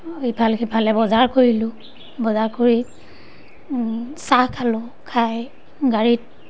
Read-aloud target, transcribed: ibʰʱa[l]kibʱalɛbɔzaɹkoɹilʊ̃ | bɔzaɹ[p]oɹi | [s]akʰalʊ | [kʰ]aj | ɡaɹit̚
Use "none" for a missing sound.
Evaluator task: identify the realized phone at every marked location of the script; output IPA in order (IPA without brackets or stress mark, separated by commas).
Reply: l, k, s, kʰ